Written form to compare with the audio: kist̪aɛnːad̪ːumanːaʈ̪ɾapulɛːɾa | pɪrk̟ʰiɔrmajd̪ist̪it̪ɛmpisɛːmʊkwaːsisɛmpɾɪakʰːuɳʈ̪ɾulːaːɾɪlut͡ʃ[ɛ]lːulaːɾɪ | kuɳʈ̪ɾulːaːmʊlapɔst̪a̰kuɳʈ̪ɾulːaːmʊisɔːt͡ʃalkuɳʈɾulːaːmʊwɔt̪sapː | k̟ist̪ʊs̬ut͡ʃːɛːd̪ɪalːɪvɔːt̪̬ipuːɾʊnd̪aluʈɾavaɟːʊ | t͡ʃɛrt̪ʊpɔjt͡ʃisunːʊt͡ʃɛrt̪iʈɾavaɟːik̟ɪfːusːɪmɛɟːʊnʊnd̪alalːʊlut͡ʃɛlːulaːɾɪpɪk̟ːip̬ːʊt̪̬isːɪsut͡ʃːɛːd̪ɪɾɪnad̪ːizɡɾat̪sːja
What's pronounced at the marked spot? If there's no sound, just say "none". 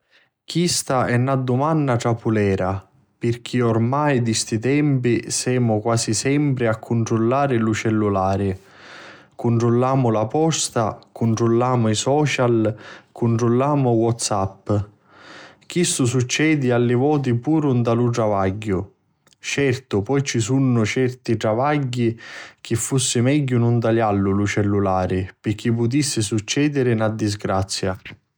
ɛ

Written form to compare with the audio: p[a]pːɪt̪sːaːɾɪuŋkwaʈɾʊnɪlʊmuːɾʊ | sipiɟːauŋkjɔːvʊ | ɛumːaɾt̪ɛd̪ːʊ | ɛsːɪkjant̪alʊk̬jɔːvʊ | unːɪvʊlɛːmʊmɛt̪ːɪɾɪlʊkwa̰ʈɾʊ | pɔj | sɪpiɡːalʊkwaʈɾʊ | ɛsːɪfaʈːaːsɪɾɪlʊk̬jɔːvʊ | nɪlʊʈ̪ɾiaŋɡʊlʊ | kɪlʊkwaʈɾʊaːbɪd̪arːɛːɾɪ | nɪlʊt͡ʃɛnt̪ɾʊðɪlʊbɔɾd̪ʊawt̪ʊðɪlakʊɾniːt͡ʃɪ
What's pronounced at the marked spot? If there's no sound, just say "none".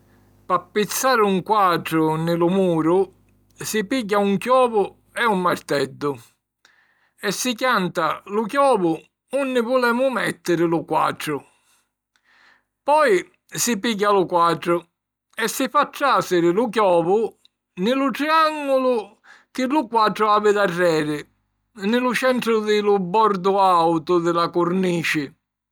a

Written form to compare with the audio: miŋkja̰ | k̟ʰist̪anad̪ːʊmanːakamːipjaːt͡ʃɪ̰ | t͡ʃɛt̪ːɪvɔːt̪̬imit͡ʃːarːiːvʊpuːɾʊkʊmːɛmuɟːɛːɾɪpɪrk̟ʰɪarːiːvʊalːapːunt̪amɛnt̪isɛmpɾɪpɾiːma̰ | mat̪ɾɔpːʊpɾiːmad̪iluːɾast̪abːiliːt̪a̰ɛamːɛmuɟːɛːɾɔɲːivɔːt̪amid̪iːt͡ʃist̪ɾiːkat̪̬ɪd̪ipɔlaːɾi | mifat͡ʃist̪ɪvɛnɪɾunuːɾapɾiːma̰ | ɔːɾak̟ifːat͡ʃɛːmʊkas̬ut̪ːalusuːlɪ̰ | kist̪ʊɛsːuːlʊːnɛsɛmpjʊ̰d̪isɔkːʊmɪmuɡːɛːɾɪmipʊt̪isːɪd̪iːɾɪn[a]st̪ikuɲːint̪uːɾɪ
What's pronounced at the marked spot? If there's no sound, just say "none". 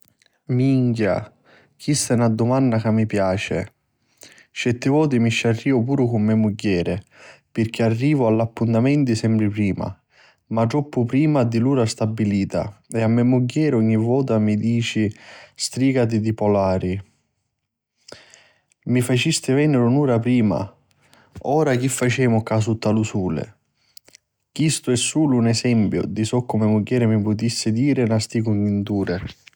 a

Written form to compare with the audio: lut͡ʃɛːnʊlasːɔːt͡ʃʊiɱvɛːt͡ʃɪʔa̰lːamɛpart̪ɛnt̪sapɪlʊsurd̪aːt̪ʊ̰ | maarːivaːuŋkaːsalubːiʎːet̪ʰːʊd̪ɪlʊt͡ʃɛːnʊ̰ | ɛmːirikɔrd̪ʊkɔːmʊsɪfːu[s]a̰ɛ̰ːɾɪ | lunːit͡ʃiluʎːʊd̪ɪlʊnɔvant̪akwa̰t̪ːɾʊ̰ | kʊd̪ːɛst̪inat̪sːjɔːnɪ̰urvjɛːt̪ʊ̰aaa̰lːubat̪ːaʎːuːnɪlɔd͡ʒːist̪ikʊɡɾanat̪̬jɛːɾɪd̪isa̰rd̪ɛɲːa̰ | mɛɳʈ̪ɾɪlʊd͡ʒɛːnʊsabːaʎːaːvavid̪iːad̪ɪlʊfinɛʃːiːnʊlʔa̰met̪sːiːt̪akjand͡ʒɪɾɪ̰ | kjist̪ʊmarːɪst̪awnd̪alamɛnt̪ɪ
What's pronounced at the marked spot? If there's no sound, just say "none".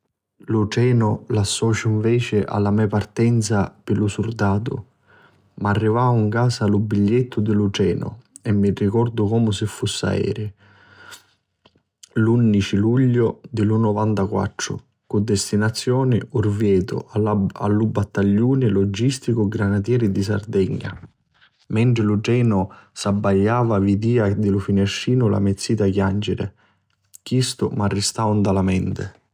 sː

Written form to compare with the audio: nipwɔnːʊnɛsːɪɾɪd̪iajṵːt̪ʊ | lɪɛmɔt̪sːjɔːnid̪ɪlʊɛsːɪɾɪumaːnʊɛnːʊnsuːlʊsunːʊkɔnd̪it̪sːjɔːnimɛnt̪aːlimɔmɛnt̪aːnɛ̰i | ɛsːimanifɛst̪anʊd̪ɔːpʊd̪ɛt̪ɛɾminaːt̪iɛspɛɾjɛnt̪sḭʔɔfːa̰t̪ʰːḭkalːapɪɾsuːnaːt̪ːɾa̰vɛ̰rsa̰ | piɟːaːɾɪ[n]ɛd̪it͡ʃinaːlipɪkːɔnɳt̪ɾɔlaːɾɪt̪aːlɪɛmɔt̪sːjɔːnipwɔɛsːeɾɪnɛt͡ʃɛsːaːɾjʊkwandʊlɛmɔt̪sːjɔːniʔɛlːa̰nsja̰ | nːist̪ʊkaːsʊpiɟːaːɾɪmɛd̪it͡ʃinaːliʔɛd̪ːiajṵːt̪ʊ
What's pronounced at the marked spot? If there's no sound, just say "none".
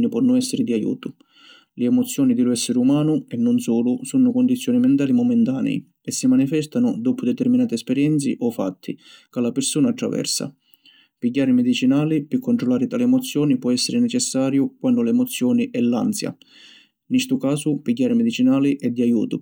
m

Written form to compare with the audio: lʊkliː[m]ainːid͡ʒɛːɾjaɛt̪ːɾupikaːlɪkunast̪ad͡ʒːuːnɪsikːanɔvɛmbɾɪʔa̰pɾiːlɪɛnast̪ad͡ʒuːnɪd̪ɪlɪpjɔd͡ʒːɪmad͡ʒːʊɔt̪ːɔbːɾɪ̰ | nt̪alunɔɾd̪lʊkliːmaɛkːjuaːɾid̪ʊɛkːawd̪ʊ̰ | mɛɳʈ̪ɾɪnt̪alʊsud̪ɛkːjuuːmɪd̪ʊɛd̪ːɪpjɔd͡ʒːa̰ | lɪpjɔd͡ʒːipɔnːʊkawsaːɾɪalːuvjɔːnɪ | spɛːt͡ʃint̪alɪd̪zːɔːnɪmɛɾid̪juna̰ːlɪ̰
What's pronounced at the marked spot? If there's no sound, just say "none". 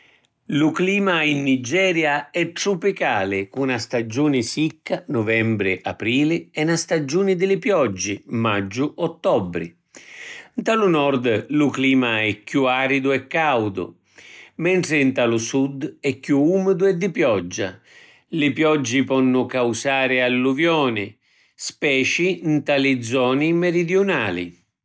m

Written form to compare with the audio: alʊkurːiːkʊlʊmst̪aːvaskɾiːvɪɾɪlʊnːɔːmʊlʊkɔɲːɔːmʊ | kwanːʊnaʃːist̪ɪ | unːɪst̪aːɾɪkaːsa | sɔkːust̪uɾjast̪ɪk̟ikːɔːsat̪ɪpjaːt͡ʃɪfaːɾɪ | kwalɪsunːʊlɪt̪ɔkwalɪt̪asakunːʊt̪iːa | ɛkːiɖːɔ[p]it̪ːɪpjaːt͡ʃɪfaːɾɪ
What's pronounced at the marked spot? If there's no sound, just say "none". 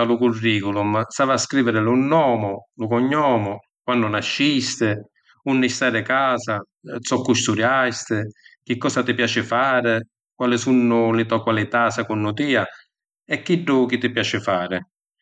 k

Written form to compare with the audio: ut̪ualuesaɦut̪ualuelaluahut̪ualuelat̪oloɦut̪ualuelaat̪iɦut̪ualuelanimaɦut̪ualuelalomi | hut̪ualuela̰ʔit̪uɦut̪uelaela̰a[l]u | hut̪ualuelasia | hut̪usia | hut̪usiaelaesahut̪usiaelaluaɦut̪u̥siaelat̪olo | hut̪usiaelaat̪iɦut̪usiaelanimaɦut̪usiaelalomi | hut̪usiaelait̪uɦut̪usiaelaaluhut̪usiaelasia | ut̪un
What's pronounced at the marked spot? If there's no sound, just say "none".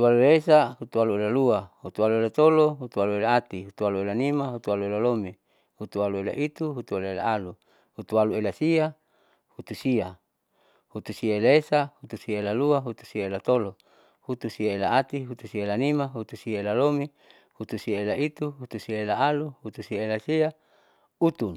l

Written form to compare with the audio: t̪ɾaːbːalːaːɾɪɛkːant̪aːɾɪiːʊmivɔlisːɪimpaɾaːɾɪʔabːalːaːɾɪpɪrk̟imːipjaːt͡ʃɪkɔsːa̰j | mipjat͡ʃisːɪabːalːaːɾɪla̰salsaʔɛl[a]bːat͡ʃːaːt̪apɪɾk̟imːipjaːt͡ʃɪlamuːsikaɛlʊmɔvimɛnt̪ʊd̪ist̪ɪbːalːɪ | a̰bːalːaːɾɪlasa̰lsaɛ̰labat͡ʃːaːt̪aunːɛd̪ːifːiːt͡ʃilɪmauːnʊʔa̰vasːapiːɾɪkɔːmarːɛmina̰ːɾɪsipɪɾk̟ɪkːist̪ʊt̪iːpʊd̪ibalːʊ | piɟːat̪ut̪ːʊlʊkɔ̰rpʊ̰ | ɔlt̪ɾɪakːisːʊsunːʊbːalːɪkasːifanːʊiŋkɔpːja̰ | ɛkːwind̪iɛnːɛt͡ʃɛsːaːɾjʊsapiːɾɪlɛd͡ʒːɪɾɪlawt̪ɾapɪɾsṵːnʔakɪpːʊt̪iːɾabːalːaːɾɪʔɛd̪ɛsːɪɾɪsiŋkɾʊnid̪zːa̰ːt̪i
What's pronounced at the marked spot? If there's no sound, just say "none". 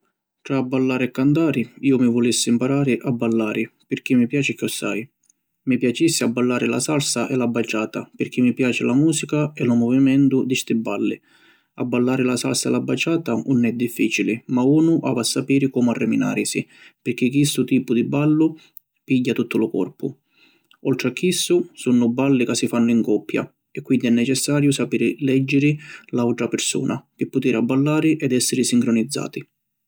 a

